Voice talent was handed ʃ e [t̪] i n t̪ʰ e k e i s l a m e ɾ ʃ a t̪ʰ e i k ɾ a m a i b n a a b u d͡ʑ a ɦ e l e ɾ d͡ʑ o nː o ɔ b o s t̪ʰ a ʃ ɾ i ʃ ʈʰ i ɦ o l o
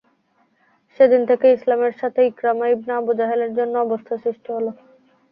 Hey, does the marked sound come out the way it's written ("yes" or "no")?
no